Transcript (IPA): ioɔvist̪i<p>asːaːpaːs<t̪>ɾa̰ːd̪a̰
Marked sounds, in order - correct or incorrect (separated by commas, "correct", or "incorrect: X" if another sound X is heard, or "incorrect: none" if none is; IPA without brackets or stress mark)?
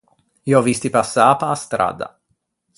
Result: correct, correct